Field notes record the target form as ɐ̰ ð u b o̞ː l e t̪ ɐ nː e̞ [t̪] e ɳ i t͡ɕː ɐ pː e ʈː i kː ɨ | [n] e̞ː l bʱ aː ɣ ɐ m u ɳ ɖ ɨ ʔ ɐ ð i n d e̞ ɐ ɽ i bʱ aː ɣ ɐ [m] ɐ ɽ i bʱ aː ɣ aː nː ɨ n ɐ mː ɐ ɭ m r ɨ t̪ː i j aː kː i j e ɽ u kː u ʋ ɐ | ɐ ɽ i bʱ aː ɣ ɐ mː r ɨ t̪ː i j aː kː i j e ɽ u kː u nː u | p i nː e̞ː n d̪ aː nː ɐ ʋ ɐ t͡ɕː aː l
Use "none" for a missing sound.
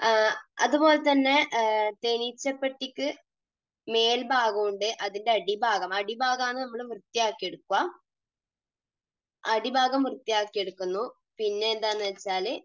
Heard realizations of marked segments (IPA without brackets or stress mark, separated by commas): t̪, m, m